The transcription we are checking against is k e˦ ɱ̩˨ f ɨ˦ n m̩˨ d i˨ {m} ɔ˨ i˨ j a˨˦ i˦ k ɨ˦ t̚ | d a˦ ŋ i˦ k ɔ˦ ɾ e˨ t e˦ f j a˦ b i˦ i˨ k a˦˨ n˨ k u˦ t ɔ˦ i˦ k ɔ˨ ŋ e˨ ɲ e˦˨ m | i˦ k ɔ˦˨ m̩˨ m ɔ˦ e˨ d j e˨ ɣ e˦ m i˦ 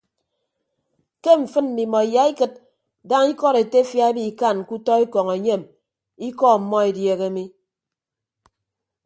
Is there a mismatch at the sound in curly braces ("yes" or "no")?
no